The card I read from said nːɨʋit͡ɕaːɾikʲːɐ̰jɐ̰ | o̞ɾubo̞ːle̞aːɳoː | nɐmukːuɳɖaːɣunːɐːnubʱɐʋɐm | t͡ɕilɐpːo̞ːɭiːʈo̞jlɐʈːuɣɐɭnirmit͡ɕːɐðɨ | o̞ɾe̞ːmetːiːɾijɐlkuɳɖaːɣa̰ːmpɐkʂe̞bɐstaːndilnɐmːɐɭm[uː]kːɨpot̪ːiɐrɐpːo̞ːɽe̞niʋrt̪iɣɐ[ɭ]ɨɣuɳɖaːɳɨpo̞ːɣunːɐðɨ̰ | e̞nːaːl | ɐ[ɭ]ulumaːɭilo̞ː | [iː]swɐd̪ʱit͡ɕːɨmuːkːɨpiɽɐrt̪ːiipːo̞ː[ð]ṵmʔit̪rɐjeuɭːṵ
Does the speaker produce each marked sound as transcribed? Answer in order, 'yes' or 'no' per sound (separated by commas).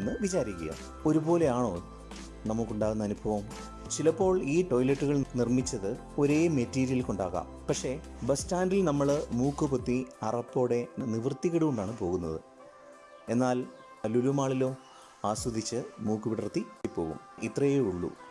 yes, no, no, no, no